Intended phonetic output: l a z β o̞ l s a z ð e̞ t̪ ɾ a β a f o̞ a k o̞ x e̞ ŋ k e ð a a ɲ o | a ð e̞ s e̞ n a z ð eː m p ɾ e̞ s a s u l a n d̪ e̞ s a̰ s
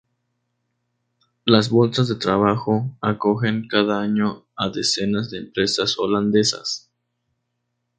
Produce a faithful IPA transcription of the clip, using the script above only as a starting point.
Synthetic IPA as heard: l a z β o̞ l s a z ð e̞ t̪ ɾ a β a x o̞ a k o̞ x e̞ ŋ k a ð a a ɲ o | a ð e̞ s e̞ n a z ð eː m p ɾ e̞ s a s o l a n d̪ e̞ s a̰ s